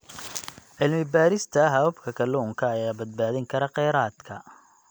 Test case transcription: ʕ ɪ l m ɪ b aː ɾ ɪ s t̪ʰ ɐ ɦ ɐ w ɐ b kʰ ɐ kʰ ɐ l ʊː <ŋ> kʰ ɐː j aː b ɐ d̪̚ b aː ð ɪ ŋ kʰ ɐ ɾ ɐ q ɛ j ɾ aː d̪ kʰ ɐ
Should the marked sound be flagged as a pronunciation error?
no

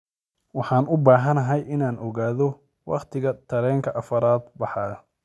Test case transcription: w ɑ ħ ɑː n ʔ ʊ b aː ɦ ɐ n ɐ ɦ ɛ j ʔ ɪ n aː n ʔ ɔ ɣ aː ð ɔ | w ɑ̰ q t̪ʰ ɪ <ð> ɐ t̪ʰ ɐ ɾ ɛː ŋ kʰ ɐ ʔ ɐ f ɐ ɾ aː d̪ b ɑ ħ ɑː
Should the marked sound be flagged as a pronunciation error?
yes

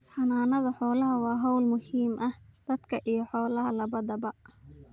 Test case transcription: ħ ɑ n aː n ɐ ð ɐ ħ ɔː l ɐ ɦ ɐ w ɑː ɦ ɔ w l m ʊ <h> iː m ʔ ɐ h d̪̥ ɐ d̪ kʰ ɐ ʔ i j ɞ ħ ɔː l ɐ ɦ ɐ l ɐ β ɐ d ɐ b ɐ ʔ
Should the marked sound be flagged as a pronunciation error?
no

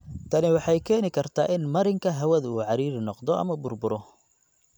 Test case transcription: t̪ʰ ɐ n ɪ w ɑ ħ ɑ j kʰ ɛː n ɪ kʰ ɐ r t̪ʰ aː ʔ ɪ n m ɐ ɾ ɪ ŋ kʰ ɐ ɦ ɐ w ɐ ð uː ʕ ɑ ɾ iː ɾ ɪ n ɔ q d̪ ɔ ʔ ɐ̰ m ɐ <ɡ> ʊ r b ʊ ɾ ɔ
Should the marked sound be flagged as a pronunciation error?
yes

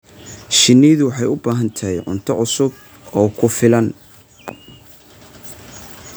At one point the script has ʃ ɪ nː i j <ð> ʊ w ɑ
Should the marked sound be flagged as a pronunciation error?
no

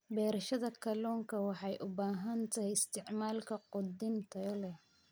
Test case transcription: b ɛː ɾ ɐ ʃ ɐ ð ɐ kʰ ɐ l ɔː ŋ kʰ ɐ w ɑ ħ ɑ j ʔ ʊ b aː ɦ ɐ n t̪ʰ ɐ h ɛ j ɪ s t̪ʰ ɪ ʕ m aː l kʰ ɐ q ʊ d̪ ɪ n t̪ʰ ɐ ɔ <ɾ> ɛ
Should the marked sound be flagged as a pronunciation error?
yes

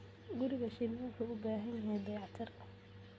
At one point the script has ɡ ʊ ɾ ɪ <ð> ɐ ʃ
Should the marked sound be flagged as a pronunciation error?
yes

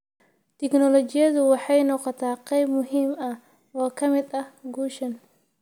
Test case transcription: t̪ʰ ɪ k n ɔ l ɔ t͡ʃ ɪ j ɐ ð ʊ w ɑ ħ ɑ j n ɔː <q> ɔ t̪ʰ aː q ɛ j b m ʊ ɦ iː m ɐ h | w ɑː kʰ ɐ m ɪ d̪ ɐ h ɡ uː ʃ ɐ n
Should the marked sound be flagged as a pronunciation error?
no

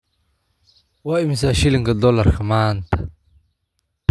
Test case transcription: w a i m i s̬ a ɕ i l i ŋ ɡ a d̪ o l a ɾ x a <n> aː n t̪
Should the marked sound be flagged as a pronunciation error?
yes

